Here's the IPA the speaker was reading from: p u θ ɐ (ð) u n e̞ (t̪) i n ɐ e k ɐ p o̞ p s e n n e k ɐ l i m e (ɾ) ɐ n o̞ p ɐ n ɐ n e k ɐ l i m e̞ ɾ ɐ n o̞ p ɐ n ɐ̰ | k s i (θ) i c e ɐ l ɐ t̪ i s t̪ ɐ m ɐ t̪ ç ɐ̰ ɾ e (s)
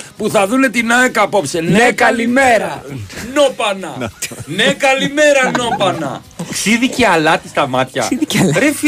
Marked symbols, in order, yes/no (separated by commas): yes, yes, yes, no, no